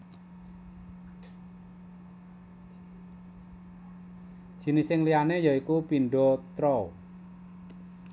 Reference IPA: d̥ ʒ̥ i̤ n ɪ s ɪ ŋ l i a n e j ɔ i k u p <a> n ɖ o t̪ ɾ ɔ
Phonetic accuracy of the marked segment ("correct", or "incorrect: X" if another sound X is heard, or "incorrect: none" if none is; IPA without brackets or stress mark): incorrect: i